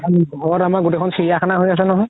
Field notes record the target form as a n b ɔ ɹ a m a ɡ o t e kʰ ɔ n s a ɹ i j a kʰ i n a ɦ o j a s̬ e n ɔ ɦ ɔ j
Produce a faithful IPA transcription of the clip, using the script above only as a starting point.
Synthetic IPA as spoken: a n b ɔ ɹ a m a ɡ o t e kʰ ɔ n s i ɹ i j a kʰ a n a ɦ o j a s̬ ɛ n ɔ ɦ ɔ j